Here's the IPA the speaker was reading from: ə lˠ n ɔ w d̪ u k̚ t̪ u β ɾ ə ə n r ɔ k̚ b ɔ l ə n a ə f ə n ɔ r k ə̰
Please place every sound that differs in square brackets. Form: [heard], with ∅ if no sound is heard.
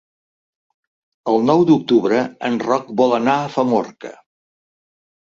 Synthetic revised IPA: ə lˠ n ɔ w d̪ u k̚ t̪ u β ɾ ə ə n r ɔ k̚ b ɔ l ə n a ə f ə [m] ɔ r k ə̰